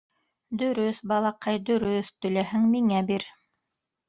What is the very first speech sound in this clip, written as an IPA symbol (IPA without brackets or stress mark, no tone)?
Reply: d̪